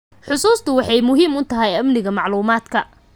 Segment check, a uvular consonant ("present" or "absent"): absent